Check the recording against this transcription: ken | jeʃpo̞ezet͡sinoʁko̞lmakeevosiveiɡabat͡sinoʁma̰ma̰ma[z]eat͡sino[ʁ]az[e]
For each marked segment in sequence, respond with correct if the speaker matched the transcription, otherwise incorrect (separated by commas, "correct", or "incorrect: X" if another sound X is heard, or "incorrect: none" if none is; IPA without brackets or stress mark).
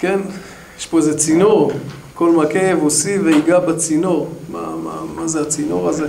correct, correct, correct